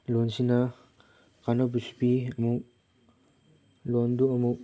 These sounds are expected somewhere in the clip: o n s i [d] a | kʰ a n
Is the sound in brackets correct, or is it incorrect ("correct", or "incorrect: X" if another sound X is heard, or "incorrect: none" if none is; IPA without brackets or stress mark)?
incorrect: n